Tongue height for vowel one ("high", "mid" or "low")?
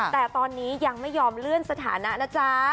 mid